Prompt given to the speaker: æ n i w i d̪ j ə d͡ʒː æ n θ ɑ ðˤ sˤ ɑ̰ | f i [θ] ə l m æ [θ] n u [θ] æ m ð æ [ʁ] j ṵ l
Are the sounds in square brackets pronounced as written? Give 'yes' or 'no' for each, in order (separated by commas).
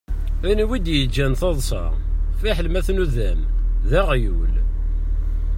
no, yes, no, yes